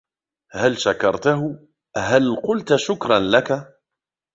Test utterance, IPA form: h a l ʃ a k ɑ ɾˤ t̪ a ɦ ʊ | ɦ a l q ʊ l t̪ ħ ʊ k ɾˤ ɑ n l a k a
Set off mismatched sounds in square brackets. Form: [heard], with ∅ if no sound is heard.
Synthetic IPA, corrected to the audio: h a l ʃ a k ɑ ɾˤ t̪ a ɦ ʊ | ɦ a l q ʊ l t̪ [ʃ] ʊ k ɾˤ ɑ n l a k a